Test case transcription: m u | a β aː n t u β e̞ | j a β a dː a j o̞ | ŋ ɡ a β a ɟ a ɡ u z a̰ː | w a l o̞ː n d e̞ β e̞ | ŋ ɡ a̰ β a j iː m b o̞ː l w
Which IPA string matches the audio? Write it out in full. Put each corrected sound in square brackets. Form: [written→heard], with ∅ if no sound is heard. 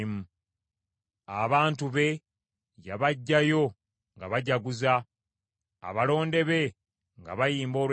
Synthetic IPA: m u | a β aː n t u β e̞ | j a β a [dː→ɟː] a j o̞ | ŋ ɡ a β a ɟ a ɡ u z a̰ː | [w→β] a l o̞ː n d e̞ β e̞ | ŋ ɡ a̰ β a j iː m b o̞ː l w